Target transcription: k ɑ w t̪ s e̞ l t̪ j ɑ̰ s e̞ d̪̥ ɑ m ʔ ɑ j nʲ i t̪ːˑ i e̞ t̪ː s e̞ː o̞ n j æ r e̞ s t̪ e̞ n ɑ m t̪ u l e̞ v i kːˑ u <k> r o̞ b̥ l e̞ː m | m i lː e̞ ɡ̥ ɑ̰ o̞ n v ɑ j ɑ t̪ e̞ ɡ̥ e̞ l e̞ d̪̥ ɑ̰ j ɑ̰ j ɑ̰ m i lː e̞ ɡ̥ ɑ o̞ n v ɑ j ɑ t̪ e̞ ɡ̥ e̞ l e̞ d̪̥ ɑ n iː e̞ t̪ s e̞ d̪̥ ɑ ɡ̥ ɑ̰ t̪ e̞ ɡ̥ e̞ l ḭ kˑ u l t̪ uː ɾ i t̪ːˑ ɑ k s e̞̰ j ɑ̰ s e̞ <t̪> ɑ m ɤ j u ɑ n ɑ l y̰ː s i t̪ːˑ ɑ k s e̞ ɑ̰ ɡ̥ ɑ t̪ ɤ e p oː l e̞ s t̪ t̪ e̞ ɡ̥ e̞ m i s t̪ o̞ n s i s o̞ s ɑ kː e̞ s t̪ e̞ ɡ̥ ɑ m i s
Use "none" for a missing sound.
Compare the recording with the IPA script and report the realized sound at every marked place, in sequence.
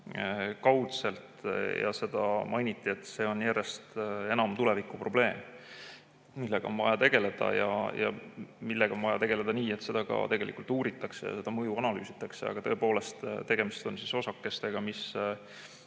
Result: p, d̪

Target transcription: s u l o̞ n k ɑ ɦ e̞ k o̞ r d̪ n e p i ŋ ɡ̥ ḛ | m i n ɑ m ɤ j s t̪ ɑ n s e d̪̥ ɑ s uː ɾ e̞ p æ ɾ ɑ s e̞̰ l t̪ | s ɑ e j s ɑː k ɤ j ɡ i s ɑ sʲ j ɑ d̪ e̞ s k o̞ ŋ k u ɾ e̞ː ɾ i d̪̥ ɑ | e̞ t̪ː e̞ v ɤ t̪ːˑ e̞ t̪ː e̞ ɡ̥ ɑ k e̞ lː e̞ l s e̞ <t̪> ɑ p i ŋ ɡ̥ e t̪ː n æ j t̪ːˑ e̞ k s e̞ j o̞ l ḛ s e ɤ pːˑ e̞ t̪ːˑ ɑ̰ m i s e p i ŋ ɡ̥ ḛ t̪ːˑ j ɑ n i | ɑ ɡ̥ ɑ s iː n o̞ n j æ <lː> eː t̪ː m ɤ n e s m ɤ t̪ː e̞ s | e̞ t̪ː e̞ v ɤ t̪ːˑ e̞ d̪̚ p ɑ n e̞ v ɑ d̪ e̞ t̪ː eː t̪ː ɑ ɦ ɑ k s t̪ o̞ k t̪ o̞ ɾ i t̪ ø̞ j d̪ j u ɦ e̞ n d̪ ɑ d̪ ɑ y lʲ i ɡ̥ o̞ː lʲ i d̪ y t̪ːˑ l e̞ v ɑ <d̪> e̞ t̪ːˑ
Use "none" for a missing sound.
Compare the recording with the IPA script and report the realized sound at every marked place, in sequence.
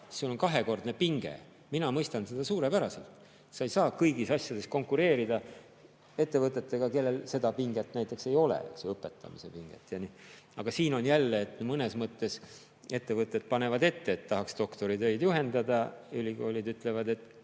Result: d̪, lː, d̪

